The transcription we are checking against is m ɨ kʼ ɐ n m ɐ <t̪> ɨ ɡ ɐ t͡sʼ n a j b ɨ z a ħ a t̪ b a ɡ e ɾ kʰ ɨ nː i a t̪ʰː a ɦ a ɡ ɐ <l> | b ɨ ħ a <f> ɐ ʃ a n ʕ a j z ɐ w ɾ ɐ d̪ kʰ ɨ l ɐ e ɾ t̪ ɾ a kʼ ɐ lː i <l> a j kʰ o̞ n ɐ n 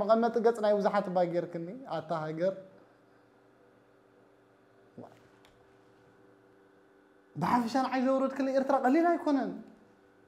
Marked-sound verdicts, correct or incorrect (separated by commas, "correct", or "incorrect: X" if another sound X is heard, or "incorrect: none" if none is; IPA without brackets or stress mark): incorrect: t̪ʼ, incorrect: ɾ, correct, correct